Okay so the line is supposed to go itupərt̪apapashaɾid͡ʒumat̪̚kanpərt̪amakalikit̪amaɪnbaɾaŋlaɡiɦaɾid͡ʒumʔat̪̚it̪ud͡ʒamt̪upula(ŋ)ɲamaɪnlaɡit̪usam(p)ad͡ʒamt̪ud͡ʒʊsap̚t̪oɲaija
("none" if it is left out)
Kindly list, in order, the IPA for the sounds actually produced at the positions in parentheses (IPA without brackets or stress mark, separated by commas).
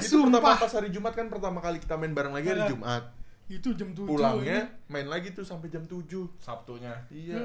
ŋ, p